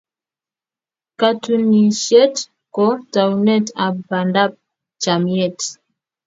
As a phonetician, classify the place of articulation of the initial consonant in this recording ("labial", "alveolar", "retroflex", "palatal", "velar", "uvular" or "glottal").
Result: velar